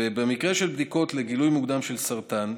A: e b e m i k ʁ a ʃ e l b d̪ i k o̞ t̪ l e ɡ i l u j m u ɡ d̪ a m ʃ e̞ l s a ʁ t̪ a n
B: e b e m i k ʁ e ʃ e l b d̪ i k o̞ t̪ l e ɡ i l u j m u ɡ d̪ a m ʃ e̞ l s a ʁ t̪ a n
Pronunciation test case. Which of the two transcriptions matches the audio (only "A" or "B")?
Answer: B